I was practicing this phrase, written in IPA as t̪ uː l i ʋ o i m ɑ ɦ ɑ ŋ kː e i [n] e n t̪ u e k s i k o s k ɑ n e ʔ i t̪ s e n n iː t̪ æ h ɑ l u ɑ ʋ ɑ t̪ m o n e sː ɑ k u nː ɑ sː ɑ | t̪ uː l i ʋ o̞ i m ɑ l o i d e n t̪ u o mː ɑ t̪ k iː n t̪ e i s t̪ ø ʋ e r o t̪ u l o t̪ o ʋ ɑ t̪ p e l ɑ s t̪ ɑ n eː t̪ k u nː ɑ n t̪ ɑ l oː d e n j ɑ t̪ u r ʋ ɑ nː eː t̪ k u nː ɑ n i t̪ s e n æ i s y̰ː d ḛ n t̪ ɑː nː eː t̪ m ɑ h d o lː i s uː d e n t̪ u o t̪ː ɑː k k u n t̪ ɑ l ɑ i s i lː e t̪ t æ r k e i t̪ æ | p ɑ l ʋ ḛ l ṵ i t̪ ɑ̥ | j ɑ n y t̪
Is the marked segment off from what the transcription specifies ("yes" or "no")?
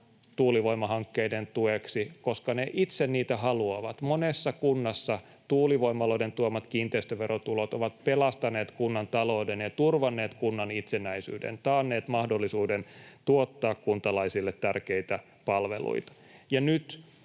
yes